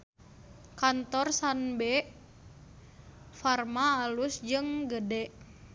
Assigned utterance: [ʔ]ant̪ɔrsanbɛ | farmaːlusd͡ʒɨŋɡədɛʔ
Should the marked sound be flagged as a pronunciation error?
yes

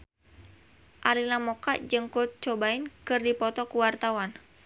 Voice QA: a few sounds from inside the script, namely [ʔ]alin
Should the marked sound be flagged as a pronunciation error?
no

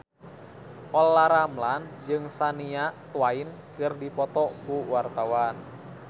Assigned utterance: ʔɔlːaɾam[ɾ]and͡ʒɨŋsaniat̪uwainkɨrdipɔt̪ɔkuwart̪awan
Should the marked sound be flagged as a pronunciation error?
yes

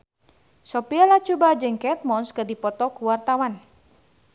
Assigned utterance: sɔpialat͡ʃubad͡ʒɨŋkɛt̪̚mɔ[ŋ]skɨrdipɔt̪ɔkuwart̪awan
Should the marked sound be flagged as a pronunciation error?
yes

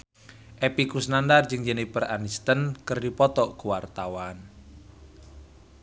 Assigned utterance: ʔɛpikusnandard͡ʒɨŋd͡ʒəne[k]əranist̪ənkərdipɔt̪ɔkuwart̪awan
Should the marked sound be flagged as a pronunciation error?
yes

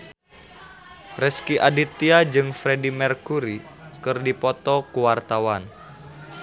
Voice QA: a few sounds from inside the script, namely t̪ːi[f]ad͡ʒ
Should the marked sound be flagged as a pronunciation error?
yes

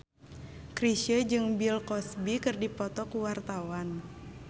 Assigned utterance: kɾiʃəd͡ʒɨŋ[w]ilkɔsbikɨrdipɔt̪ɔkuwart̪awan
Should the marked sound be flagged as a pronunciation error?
yes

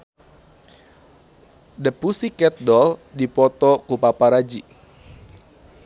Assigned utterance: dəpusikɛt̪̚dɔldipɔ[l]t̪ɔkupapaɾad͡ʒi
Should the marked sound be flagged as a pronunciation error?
yes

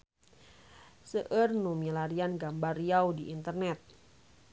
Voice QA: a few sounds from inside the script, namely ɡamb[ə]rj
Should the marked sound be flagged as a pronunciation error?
yes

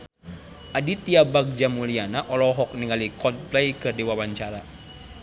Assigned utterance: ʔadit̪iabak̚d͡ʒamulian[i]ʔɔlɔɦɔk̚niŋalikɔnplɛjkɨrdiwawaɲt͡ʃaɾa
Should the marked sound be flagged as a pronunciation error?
yes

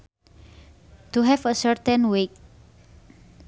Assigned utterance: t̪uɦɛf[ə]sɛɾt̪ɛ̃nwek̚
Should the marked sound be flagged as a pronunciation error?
no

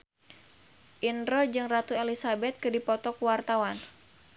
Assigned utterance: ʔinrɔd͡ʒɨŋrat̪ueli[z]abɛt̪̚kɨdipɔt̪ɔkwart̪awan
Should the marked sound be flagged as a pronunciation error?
yes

